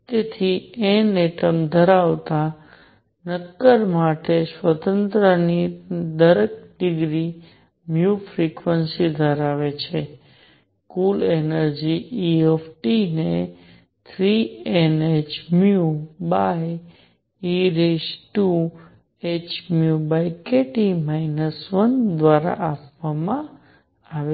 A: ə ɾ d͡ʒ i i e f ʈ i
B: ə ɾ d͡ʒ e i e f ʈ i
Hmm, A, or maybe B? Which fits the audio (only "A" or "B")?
A